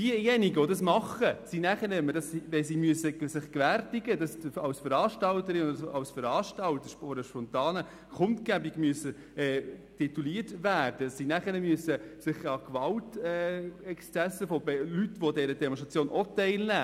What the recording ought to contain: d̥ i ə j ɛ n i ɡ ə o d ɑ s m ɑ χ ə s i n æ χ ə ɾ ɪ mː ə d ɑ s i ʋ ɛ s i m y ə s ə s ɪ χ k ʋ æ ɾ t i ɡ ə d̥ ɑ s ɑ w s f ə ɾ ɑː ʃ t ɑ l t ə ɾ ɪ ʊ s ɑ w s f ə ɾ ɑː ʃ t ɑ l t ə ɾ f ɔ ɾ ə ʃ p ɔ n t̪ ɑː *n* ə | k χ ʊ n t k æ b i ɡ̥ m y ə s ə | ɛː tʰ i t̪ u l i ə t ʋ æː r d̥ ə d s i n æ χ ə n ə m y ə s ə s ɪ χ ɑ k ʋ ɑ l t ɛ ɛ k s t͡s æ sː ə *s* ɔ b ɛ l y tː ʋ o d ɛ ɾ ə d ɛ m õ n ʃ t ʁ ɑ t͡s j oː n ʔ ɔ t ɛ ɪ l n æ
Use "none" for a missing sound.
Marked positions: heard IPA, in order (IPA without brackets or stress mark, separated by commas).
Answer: n, f